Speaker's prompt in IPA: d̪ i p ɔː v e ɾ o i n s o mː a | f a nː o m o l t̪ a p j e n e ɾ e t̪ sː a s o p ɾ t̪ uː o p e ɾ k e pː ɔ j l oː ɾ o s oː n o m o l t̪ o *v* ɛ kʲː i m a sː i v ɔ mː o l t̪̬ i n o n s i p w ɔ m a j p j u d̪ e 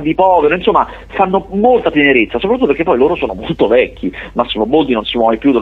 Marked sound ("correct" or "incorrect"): correct